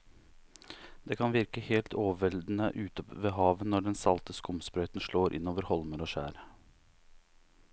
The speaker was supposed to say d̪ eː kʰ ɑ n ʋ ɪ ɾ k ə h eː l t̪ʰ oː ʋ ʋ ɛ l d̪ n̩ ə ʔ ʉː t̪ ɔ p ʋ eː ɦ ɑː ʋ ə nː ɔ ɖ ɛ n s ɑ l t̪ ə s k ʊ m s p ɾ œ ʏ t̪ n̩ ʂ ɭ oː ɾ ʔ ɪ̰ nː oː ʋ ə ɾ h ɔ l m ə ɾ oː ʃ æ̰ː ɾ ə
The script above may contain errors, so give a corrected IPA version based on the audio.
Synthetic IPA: d̪ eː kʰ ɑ n ʋ ɪ ɾ k ə h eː l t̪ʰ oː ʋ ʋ ɛ l d̪ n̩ ə ʔ ʉː t̪ ɔ p ʋ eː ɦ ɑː ʋ ə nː ɔ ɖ ɛ n s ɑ l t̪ ə s k ʊ m s p ɾ œ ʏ t̪ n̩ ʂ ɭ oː ɾ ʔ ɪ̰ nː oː ʋ ə ɾ h ɔ l m ə ɾ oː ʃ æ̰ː ɾ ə